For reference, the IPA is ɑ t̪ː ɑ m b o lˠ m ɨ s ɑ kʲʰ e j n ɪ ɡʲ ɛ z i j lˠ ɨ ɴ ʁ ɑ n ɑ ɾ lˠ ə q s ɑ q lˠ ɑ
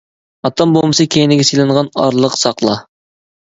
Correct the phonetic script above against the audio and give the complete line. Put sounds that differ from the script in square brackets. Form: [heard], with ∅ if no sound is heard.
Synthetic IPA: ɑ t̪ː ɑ m b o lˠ m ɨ s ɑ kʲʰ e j n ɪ ɡʲ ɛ [s] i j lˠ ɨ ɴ ʁ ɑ n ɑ ɾ lˠ ə q s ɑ q lˠ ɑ